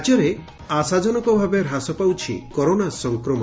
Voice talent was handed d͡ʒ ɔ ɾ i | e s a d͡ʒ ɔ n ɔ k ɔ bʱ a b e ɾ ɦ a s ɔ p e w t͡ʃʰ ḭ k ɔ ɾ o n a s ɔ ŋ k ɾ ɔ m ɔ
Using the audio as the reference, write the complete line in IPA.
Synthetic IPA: d͡ʒ ɔ ɾ e | a s a d͡ʒ ɔ n ɔ k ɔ bʱ a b e ɾ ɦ a s ɔ p a w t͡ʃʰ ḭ k ɔ ɾ o n a s ɔ ŋ k ɾ ɔ m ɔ